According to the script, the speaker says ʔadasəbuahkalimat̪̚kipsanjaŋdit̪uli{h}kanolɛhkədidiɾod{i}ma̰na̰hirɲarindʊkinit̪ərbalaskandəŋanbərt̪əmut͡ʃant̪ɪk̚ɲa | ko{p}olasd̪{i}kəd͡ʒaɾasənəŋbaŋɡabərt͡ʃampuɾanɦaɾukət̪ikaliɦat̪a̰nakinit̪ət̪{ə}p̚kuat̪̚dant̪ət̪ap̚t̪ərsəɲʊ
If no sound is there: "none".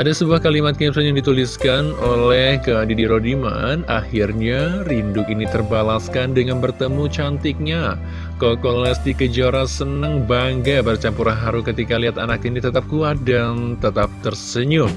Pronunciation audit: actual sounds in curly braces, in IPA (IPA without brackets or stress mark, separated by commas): s, i, k, i, a